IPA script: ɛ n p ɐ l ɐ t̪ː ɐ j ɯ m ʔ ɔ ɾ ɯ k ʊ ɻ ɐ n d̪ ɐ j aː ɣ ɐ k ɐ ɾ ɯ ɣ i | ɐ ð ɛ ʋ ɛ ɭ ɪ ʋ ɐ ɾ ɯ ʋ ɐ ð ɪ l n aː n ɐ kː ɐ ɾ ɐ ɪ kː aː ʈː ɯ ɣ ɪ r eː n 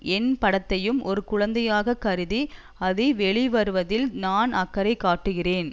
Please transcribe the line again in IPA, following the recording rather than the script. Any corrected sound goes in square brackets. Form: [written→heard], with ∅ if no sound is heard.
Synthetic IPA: ɛ n p ɐ [l→ɽ] ɐ t̪ː ɐ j ɯ m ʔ ɔ ɾ ɯ k ʊ ɻ ɐ n d̪ ɐ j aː ɣ ɐ k ɐ ɾ ɯ [ɣ→ð] i | ɐ ð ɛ ʋ ɛ ɭ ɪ ʋ ɐ ɾ ɯ ʋ ɐ ð ɪ l n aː n ɐ kː ɐ ɾ ɐ ɪ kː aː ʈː ɯ ɣ ɪ r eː n